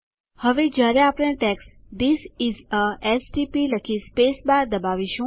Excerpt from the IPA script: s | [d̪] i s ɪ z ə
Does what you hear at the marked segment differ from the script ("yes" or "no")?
no